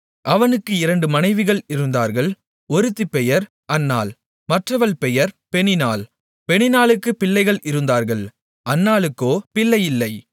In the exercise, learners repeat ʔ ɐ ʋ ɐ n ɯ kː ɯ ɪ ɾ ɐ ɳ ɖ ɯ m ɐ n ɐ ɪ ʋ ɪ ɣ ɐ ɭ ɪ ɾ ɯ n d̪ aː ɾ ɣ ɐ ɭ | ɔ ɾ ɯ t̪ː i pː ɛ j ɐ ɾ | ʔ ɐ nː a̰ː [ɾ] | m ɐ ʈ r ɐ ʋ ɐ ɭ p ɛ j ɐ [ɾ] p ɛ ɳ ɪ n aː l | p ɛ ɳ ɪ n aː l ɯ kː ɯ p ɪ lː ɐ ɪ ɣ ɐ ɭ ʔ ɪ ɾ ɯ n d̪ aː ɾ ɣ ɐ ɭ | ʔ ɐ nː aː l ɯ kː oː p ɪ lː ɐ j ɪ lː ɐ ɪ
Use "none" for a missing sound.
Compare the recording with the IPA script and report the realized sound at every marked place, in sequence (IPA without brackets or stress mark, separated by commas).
l, ɾ